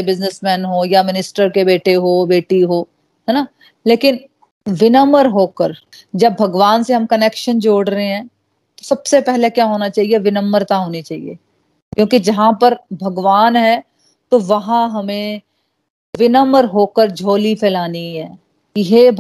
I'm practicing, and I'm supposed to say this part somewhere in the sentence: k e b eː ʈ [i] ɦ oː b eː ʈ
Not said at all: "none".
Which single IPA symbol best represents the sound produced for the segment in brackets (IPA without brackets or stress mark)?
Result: e